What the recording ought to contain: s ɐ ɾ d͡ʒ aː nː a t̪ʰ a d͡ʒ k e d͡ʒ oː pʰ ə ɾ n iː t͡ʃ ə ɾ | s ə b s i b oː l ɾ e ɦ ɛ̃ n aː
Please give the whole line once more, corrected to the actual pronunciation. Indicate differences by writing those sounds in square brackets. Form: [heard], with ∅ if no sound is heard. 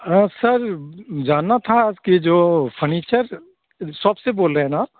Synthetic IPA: s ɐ ɾ d͡ʒ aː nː a t̪ʰ a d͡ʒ k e d͡ʒ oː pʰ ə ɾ n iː t͡ʃ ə ɾ | s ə b s [e] b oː l ɾ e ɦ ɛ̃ n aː